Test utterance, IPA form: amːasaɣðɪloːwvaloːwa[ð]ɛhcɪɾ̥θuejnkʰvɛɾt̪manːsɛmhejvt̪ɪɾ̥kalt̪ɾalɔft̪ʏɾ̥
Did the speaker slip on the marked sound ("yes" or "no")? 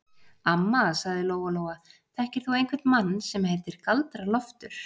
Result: yes